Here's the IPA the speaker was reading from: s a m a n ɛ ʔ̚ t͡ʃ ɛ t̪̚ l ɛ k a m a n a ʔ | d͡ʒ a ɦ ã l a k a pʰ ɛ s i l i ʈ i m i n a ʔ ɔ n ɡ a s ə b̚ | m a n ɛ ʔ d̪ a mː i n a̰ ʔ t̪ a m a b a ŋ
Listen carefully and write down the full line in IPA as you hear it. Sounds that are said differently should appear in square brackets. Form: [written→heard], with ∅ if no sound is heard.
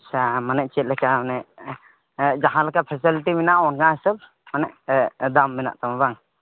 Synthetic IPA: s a m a n ɛ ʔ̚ t͡ʃ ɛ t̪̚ l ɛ k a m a n [a→ɛ] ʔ | d͡ʒ a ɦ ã l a k a pʰ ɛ s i l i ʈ i m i n a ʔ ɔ n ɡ a s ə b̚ | m a n ɛ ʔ d̪ a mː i n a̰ ʔ t̪ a m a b a ŋ